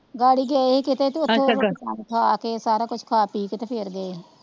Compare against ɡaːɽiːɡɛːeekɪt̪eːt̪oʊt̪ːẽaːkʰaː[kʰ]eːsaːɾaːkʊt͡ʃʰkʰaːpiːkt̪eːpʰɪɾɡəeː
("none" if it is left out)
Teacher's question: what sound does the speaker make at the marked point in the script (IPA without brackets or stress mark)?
k